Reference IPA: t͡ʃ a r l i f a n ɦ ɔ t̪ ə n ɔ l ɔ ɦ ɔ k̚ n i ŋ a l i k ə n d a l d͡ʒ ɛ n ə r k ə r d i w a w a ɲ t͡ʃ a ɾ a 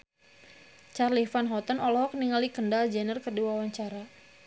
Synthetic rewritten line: t͡ʃ a r l i f a n ɦ ɔ t̪ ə n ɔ l ɔ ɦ ɔ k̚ n i ŋ a l i k ə n d a l d͡ʒ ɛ n ə r k ə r d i w a w a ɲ t͡ʃ a ɾ a